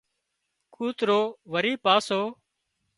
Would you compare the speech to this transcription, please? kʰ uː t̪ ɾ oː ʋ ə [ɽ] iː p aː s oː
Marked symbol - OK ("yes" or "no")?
no